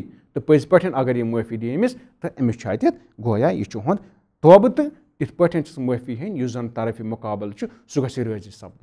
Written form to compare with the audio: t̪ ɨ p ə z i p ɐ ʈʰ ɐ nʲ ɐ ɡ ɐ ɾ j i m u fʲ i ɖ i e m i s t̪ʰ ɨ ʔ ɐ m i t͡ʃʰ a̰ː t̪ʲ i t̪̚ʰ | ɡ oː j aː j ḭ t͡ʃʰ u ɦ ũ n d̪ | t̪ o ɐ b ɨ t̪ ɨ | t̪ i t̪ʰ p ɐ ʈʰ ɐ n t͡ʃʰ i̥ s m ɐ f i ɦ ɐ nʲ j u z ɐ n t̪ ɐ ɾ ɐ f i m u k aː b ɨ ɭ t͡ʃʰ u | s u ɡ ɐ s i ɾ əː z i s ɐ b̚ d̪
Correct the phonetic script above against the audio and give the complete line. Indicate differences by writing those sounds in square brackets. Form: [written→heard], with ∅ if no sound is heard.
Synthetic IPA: t̪ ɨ p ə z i p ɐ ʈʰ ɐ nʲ ɐ ɡ ɐ ɾ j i m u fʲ i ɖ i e m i s [t̪ʰ→t̪] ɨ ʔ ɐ m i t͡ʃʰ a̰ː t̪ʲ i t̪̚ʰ | ɡ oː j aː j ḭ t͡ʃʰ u ɦ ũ n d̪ | t̪ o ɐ b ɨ t̪ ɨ | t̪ i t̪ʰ p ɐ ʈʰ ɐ n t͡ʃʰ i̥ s m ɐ f i ɦ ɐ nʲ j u z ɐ n t̪ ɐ ɾ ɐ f i m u k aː b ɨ [ɭ→l] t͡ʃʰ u | s u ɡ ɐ s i ɾ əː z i s ɐ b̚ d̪